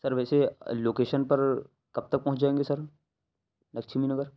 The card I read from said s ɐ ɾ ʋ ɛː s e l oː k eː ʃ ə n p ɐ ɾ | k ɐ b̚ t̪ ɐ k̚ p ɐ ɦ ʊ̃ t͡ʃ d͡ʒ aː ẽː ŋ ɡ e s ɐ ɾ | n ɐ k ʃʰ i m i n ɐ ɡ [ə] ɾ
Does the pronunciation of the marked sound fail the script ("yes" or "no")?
no